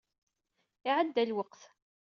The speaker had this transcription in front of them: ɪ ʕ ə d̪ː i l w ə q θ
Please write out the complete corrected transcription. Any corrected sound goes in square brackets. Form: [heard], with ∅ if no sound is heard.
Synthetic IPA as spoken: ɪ ʕ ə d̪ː [æ] l w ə q θ